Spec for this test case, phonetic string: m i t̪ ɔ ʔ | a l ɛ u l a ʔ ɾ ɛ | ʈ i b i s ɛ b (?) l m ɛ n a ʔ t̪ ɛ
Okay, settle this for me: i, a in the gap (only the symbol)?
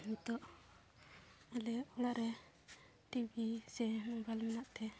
a